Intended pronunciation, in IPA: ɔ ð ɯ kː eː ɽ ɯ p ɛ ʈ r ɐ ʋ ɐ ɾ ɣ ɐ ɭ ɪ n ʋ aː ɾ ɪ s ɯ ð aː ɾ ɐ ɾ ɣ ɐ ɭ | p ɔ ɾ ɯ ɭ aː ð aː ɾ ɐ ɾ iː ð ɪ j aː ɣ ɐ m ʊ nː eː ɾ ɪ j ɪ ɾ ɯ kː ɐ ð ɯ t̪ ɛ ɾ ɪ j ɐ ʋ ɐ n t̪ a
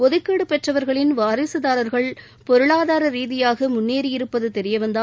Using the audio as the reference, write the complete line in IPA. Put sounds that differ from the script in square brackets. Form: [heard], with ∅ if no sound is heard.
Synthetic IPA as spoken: ɔ ð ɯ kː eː ɽ ɯ p ɛ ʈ r ɐ ʋ ɐ ɾ ɣ ɐ ɭ ɪ n ʋ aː ɾ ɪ s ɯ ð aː ɾ ɐ ɾ ɣ ɐ ɭ | p ɔ ɾ ɯ ɭ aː ð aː ɾ ɐ ɾ iː ð ɪ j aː ɣ ɐ m ʊ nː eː ɾ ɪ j ɪ ɾ ɯ [pː] ɐ ð ɯ t̪ ɛ ɾ ɪ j ɐ ʋ ɐ n [d̪] a

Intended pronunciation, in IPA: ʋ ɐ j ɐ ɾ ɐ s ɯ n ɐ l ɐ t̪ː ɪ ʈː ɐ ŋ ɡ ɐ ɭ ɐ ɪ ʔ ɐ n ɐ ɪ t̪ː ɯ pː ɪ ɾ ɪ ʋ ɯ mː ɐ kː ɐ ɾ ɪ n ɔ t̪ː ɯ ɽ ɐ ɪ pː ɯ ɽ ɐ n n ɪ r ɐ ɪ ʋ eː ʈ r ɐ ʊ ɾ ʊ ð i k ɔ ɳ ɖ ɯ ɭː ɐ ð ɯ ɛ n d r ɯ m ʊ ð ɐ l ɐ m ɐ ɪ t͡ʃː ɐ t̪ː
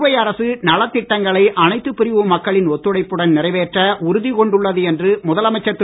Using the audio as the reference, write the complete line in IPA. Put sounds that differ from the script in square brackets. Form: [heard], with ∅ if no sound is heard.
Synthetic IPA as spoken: ʋ ɐ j ɐ ɾ ɐ s ɯ n ɐ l ɐ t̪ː ɪ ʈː ɐ ŋ ɡ ɐ ɭ ɐ ɪ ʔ ɐ n ɐ ɪ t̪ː ɯ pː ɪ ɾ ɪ ʋ ɯ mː ɐ kː ɐ [ɭ] ɪ n ɔ t̪ː ɯ ɽ ɐ ɪ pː ɯ ɽ ɐ n n ɪ r ɐ ɪ ʋ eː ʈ r ɐ ʊ ɾ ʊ ð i k ɔ ɳ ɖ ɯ ɭː ɐ ð ɯ ɛ n d r ɯ m ʊ ð ɐ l ɐ m ɐ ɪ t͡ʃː ɐ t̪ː

